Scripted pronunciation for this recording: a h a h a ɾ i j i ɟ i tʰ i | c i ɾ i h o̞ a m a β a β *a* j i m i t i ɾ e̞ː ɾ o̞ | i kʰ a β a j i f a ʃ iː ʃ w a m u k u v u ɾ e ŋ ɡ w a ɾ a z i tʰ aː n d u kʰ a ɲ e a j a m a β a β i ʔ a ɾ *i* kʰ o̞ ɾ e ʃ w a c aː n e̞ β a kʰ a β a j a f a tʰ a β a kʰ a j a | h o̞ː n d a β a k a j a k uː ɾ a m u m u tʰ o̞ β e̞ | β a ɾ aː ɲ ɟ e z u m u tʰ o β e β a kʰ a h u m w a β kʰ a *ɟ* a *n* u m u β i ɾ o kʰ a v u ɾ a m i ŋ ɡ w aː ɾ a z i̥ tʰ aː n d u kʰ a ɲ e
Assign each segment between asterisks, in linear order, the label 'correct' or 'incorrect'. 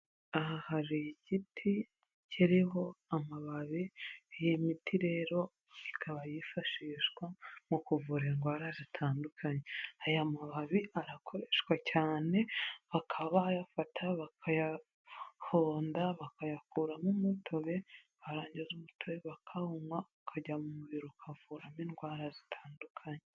incorrect, incorrect, correct, incorrect

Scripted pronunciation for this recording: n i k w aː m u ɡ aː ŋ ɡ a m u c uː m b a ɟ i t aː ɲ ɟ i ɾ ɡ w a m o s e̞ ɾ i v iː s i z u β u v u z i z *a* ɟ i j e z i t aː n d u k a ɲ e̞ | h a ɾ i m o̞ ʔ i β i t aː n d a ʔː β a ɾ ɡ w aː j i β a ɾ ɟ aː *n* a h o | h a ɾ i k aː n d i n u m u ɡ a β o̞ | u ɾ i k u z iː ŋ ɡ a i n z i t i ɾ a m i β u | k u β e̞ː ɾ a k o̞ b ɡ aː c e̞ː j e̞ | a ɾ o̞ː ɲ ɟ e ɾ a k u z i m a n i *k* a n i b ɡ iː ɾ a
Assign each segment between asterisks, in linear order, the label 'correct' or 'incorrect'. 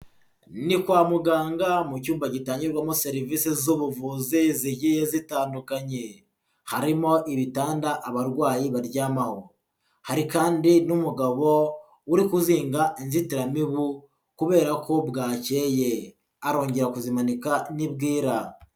incorrect, incorrect, correct

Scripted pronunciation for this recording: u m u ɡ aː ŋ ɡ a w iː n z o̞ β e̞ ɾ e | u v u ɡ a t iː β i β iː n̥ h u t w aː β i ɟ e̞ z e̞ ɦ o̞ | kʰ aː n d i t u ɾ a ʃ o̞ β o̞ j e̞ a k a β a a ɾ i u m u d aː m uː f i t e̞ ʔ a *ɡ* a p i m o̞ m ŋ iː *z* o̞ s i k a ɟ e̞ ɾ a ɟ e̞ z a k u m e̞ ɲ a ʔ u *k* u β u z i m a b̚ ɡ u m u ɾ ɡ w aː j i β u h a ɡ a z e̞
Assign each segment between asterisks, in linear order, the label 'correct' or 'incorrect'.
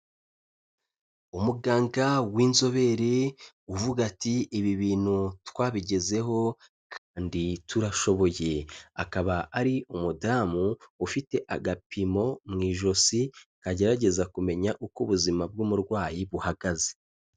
correct, incorrect, correct

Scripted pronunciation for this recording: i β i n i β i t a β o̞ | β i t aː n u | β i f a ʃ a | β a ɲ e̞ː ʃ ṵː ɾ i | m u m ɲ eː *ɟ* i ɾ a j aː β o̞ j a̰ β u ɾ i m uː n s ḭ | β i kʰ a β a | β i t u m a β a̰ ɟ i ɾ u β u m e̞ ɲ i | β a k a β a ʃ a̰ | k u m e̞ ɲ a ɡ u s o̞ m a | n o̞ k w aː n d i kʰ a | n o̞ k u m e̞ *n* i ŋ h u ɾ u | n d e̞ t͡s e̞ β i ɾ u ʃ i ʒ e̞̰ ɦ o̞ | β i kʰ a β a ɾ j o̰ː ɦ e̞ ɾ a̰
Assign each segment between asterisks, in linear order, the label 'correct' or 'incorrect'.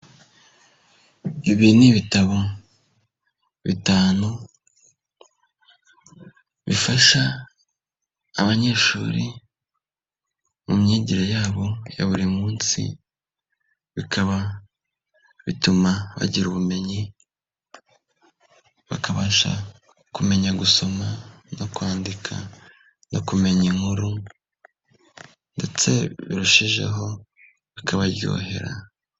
correct, incorrect

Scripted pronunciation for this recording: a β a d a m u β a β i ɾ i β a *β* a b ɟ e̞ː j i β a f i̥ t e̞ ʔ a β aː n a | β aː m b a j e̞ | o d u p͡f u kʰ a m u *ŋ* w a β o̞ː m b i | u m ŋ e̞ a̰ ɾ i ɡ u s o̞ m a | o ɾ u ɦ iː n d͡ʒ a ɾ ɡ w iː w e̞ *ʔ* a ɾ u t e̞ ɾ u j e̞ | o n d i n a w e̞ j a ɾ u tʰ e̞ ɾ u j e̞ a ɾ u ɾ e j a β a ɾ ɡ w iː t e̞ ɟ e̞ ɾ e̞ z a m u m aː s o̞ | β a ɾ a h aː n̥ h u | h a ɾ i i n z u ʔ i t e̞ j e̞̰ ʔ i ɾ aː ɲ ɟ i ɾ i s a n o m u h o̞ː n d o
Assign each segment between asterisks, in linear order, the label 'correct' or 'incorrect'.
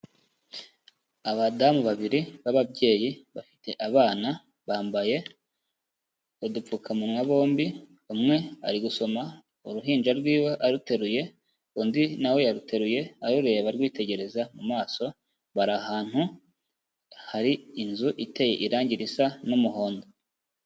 correct, incorrect, correct

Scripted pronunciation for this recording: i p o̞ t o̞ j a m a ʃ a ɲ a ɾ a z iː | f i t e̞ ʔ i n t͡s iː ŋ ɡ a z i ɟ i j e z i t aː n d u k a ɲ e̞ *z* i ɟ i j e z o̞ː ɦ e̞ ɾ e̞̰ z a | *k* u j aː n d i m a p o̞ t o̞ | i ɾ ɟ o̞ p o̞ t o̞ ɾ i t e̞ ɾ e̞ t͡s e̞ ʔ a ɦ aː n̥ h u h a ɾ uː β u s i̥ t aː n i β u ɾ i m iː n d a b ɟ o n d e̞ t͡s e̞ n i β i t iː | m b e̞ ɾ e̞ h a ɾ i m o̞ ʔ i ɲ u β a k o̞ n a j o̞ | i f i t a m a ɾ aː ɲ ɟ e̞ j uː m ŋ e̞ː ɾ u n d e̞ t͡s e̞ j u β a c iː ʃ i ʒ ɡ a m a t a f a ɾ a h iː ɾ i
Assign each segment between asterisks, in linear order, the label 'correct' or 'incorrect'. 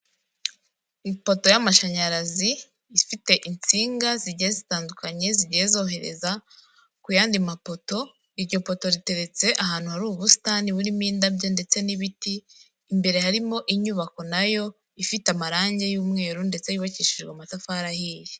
correct, correct

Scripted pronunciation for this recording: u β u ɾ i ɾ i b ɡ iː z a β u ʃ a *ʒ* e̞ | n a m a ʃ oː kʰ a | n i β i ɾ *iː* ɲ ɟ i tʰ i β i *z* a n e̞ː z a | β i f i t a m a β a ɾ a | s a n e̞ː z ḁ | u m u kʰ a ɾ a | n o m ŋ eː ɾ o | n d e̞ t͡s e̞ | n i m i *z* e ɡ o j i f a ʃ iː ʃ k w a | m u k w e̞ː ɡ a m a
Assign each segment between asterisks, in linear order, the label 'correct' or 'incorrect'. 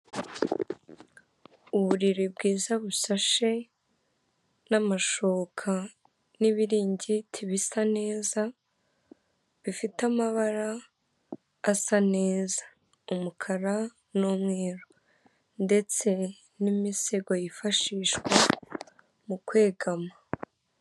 incorrect, correct, incorrect, incorrect

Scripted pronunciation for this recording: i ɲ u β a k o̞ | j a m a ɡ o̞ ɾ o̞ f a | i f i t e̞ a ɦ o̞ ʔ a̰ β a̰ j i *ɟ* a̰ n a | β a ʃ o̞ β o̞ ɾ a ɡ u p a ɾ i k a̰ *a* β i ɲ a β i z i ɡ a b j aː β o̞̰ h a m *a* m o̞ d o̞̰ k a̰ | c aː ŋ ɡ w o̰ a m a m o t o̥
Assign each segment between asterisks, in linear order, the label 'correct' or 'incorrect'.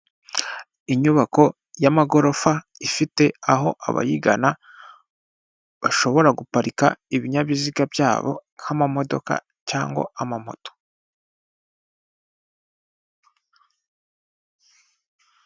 incorrect, incorrect, correct

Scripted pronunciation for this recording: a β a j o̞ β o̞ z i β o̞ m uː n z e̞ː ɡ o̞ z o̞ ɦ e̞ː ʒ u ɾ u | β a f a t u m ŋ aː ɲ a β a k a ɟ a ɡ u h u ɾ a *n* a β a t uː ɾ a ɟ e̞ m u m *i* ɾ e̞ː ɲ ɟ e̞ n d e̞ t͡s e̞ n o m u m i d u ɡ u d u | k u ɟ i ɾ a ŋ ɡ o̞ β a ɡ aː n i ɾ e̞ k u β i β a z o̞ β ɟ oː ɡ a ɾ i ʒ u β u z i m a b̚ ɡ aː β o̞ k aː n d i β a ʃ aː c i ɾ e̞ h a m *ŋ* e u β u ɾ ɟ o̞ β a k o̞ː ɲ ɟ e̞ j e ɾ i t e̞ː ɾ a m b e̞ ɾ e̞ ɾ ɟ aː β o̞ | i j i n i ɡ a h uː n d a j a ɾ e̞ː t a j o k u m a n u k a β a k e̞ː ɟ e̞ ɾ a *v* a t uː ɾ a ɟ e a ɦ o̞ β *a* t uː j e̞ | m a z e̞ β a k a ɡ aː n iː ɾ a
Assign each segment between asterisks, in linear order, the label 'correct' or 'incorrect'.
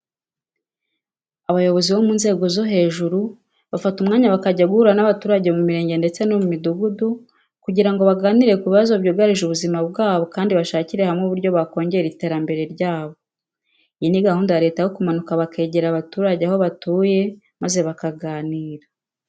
correct, correct, correct, incorrect, correct

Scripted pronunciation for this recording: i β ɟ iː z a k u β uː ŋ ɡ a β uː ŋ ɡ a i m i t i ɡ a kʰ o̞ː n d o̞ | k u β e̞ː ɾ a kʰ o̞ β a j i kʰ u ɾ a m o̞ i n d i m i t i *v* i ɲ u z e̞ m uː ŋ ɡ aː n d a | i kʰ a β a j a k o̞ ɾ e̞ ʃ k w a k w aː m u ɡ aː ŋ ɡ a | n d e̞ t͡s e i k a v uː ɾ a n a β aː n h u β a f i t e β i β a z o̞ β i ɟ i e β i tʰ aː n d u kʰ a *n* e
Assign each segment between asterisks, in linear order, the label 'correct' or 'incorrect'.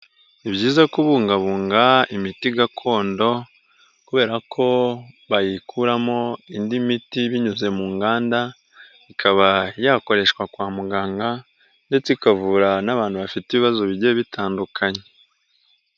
incorrect, incorrect

